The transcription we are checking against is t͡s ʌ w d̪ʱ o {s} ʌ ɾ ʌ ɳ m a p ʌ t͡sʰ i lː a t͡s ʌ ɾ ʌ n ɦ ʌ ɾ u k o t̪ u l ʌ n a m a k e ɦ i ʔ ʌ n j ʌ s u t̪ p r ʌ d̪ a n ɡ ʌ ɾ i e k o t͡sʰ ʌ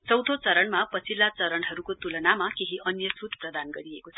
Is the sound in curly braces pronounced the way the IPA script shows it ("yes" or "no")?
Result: no